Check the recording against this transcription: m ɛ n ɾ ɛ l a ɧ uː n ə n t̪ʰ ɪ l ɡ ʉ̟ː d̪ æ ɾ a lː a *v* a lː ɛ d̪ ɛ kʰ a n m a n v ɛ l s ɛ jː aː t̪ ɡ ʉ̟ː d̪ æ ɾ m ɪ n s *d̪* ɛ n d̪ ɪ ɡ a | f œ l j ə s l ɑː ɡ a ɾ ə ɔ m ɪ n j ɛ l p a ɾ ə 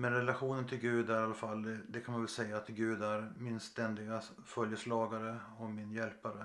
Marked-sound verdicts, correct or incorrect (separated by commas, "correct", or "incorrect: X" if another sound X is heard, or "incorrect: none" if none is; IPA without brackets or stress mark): incorrect: f, incorrect: t̪